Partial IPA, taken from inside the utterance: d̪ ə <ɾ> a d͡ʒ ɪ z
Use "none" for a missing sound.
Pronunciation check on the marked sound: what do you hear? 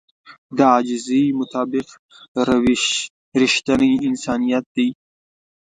none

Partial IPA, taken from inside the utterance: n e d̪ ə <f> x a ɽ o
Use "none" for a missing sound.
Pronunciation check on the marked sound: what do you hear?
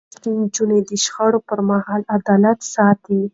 ʃ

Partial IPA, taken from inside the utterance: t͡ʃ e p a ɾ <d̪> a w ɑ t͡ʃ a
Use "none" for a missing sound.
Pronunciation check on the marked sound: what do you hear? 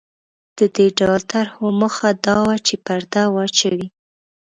d̪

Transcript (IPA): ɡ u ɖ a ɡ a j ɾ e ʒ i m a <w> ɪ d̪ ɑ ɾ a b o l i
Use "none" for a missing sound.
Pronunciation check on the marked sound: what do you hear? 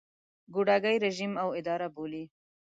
w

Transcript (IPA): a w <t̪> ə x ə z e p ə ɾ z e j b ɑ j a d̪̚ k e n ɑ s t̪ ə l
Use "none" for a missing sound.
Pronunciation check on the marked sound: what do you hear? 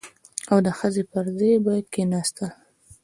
d̪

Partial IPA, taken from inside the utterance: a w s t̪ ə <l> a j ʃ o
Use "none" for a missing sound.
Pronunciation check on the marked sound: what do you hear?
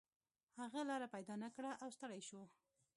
ɽ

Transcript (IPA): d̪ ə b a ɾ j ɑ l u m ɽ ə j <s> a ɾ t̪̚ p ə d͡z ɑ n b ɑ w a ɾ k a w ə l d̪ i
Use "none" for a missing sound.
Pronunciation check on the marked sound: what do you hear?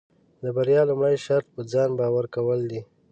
ʃ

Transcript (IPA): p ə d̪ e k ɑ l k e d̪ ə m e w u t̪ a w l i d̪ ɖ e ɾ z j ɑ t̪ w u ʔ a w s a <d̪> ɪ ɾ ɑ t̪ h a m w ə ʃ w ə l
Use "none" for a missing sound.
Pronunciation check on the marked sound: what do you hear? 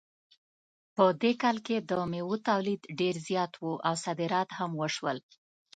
d̪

